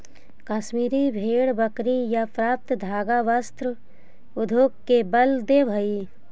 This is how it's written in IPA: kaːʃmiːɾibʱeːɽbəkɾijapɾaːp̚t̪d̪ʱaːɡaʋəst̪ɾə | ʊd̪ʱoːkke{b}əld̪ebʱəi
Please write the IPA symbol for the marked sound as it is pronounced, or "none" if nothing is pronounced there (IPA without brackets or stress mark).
b